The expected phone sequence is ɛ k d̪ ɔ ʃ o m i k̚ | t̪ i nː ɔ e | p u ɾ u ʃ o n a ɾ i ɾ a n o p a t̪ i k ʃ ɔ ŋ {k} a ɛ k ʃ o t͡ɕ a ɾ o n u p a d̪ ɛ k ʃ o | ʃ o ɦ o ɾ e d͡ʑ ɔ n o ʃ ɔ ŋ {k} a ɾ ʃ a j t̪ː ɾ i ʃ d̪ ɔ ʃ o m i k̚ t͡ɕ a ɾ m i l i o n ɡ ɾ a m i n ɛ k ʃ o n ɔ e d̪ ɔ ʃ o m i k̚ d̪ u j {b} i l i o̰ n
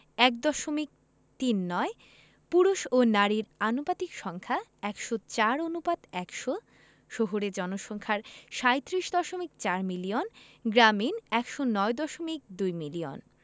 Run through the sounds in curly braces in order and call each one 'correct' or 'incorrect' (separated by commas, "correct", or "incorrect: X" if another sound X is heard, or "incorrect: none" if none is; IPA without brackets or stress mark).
incorrect: kʰ, incorrect: kʰ, incorrect: m